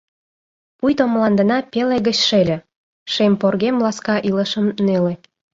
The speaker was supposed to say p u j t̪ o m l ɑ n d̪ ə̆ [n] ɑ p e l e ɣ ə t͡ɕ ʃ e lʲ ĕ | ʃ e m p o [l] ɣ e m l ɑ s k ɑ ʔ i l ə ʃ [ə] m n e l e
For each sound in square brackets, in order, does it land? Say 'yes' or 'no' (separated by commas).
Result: yes, no, yes